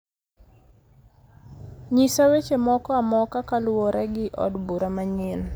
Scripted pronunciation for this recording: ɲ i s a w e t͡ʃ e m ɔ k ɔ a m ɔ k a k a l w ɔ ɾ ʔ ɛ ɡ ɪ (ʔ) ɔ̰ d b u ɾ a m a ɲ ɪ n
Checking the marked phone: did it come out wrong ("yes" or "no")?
no